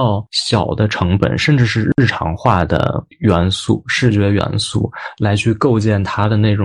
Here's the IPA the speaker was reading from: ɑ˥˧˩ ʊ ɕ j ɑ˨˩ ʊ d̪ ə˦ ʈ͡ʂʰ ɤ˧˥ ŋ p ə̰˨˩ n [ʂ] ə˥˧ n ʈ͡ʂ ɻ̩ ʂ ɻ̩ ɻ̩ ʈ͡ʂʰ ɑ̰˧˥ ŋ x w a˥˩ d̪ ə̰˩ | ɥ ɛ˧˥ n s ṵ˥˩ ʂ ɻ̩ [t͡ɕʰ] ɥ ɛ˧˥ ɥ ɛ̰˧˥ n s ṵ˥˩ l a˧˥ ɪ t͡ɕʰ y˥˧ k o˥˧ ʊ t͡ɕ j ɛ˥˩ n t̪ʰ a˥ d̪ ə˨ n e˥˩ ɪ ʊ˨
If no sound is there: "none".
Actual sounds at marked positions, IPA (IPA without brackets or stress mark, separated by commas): ʂ, t͡ɕ